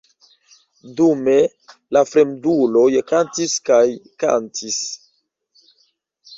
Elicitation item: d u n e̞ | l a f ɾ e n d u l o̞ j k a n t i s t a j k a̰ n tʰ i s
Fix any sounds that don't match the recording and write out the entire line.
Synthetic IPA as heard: d u m e̞ | l a f ɾ e m d u l o̞ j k a n t i s k a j k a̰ n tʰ i s